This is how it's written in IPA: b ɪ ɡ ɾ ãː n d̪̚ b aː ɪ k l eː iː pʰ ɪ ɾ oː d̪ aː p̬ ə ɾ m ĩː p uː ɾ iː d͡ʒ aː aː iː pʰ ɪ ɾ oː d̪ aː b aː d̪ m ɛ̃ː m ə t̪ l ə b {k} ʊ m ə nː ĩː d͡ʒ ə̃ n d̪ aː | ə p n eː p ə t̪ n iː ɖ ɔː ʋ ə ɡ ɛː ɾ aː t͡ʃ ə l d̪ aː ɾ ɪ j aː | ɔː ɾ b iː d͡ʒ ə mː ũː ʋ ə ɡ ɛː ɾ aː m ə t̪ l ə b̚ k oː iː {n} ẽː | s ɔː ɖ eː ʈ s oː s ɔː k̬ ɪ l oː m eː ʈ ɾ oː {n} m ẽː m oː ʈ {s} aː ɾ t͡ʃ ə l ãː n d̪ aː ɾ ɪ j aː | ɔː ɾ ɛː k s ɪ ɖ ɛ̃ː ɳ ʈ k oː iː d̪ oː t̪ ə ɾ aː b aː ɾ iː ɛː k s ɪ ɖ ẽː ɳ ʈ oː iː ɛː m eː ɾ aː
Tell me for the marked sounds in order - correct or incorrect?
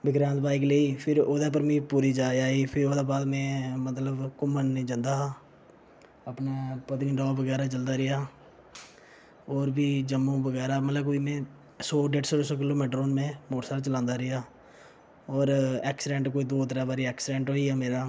correct, incorrect, correct, correct

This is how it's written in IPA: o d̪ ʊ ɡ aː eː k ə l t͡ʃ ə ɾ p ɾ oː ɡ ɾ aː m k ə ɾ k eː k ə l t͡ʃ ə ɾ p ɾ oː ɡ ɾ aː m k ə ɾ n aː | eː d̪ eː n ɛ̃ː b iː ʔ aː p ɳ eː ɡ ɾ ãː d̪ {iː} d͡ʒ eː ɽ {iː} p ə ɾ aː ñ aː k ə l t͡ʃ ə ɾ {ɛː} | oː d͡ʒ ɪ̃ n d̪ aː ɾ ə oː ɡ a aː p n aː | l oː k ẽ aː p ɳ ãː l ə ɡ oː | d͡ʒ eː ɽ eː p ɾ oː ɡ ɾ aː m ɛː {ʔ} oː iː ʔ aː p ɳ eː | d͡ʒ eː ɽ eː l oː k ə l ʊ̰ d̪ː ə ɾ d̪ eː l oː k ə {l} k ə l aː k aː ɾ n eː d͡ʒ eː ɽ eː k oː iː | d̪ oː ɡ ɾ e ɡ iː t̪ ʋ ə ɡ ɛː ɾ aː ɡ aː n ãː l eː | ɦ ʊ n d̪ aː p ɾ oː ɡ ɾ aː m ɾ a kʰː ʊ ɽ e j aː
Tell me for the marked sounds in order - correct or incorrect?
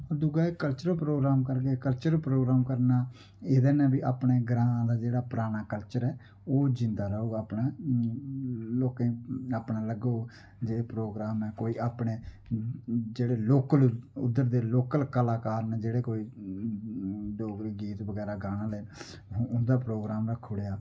incorrect, incorrect, correct, incorrect, correct

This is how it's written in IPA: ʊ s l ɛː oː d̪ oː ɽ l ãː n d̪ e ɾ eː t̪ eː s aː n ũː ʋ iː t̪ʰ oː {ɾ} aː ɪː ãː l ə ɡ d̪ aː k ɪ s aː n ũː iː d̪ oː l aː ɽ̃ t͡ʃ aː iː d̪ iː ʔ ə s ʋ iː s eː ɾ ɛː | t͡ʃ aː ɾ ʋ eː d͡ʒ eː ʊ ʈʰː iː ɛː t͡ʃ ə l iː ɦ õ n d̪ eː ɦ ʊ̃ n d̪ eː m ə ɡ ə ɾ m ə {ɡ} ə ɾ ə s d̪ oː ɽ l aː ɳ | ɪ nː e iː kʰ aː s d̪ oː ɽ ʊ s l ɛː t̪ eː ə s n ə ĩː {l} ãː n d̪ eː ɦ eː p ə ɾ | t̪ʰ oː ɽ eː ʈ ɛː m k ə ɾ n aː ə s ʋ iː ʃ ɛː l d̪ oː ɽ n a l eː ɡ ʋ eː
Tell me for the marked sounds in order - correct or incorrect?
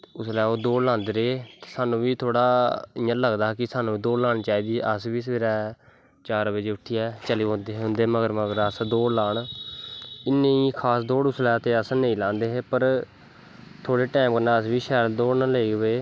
incorrect, correct, correct

